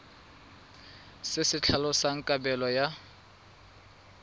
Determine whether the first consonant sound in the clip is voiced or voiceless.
voiceless